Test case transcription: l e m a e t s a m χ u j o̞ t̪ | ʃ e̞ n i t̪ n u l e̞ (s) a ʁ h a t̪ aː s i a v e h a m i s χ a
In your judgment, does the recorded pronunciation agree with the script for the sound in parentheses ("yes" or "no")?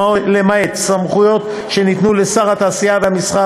yes